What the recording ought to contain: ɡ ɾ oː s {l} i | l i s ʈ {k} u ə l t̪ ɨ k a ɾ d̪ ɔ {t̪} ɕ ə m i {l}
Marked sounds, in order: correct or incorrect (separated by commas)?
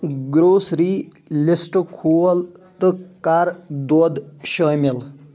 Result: incorrect, incorrect, incorrect, correct